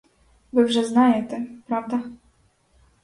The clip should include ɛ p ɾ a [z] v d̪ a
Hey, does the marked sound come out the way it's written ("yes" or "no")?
no